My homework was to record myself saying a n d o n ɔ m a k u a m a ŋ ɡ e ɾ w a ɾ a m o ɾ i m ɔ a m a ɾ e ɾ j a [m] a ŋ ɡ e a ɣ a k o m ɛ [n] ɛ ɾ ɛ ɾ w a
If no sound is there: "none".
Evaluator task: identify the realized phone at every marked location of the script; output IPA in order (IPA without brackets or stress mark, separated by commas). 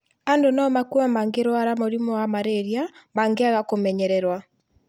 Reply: m, ɲ